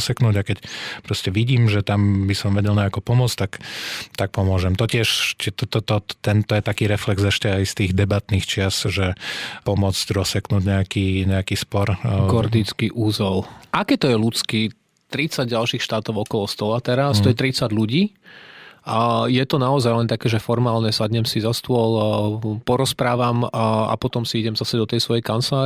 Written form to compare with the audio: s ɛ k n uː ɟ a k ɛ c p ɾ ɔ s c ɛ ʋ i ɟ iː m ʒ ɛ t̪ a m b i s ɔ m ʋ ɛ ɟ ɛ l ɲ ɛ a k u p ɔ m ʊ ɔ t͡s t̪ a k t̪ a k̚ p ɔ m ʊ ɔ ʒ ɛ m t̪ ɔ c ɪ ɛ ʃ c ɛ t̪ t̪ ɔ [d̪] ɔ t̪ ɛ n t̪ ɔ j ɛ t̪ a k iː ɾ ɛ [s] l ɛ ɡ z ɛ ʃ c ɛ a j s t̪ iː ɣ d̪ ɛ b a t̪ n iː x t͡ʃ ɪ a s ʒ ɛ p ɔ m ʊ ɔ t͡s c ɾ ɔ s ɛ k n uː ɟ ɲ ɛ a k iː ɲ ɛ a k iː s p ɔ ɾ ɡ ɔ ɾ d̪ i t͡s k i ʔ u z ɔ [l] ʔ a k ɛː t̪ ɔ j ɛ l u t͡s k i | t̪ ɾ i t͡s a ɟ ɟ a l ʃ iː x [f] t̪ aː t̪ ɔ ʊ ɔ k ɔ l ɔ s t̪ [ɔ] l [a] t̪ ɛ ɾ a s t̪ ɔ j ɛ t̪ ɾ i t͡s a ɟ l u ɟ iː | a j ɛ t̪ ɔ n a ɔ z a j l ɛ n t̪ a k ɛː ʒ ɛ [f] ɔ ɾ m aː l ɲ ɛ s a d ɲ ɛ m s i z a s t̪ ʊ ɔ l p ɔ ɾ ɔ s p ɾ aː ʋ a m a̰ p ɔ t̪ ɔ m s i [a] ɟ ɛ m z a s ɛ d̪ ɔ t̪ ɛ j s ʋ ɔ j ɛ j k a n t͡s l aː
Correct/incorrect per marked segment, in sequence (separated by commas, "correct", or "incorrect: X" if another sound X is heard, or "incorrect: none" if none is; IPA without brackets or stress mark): incorrect: t̪, incorrect: f, correct, incorrect: ʃ, correct, correct, correct, incorrect: i